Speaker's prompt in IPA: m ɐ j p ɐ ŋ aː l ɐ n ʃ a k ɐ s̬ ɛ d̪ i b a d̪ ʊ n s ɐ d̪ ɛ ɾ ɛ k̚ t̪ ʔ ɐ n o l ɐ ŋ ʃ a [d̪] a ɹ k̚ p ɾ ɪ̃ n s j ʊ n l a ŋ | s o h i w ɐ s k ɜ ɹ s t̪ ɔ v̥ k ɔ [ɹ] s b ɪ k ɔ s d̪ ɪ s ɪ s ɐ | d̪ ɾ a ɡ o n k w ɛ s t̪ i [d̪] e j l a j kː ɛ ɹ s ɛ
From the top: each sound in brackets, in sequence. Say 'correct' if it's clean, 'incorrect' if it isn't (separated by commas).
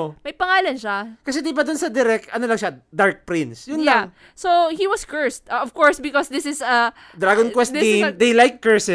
correct, correct, correct